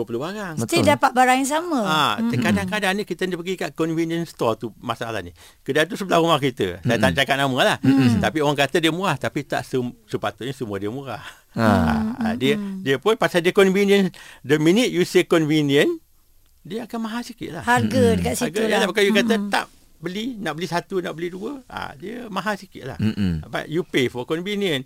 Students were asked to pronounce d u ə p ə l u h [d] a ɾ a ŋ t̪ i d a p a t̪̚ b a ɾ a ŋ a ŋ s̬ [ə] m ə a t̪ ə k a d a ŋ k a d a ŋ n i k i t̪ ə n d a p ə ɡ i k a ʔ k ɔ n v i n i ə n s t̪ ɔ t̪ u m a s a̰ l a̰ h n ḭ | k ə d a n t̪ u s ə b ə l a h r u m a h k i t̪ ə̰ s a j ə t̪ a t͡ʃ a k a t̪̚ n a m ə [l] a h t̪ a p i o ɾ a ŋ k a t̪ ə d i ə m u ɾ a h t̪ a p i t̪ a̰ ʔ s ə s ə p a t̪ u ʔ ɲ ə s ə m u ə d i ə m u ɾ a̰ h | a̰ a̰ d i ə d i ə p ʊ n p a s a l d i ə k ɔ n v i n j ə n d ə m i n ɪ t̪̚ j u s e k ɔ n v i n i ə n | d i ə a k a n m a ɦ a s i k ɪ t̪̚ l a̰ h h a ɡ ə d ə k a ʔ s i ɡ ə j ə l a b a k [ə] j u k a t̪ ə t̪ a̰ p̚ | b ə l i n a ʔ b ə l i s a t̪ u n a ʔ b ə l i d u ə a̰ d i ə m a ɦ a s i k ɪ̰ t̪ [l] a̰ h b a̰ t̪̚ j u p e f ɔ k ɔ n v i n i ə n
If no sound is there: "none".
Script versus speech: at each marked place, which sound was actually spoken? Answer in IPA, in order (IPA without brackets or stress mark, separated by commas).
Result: b, a, l, a, l